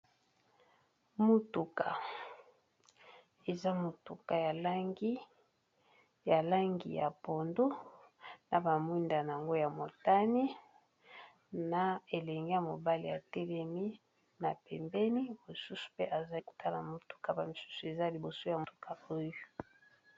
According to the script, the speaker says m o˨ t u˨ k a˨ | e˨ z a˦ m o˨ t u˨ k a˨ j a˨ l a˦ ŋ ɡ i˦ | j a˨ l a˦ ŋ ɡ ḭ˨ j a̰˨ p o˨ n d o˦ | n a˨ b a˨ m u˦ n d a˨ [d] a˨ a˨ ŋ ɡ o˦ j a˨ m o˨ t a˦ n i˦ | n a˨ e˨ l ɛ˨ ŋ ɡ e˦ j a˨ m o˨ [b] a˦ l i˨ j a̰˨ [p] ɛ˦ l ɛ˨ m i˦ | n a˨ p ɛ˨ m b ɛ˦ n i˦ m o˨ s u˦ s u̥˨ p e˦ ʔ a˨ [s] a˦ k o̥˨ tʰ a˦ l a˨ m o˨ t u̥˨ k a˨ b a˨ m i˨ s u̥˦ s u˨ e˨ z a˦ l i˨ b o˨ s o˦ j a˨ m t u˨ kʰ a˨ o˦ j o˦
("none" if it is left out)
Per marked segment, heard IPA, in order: n, b, t, z

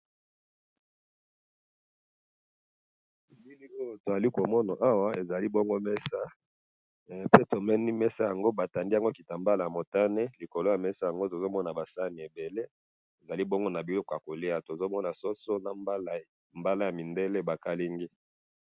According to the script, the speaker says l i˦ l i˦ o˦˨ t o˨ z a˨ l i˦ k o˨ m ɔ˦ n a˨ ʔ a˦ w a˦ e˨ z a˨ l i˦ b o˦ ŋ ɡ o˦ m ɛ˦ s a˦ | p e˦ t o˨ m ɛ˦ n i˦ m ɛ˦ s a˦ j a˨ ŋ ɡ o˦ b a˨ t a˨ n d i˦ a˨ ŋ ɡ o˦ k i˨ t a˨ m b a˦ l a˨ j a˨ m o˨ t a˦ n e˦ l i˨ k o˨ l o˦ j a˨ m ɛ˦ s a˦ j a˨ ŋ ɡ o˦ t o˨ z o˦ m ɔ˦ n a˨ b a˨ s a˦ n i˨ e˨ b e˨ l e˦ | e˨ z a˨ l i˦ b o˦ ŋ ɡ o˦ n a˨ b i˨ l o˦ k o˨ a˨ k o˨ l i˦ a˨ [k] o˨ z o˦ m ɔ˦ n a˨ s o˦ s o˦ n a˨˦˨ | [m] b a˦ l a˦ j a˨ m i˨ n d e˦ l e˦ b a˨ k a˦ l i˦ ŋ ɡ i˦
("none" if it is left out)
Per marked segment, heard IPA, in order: t, m

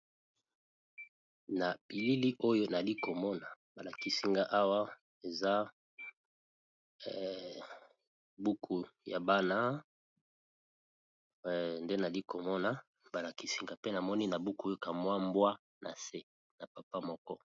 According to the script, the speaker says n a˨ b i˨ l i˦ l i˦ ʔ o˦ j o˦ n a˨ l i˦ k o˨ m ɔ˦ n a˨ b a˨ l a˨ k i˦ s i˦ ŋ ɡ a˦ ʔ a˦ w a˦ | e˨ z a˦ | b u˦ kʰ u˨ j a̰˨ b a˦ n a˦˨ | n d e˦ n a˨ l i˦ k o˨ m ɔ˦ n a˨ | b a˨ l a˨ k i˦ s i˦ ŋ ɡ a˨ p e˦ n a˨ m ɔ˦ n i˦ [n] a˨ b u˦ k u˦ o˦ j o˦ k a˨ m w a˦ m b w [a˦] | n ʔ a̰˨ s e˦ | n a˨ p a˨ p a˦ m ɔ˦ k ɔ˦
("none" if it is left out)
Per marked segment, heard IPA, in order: n, a˦

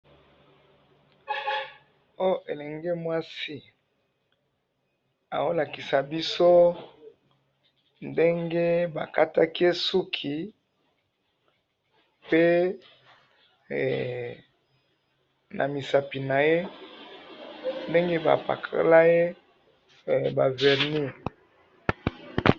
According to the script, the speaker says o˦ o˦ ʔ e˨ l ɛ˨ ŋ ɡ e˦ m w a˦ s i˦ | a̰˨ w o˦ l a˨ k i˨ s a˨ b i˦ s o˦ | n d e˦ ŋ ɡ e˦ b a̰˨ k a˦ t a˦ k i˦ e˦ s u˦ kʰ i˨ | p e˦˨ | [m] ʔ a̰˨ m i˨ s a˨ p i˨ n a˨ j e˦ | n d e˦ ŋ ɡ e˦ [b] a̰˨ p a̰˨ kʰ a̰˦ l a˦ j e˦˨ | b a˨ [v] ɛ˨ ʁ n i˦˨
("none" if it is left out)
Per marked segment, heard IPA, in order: n, b, v

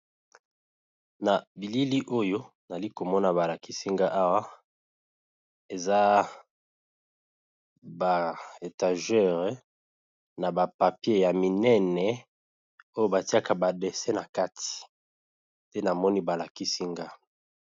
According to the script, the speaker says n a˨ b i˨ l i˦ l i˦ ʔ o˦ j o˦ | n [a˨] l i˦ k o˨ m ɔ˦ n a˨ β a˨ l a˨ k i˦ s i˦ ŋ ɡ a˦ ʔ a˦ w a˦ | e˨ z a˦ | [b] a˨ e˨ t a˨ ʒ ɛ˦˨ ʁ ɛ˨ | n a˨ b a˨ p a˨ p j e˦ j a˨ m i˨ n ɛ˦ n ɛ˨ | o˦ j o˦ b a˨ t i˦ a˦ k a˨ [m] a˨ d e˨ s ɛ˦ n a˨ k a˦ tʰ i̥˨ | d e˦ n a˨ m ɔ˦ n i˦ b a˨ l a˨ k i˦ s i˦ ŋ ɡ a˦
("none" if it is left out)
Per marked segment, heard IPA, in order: a˨, b, b

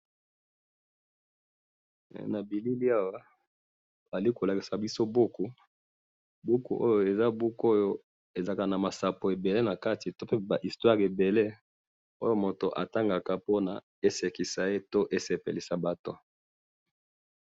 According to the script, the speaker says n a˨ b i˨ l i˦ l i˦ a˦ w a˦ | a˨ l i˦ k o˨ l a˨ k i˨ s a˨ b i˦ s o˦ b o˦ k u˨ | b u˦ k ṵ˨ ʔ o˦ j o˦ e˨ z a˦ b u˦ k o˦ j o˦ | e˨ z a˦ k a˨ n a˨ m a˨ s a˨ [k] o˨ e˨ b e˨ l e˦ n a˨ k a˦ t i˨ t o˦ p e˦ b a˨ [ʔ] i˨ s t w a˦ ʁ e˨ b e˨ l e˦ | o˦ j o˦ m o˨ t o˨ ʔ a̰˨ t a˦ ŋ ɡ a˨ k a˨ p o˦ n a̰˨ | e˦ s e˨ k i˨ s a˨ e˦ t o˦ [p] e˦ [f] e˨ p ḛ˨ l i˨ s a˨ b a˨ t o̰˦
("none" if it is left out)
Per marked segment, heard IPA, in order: p, ʔ, ʔ, s

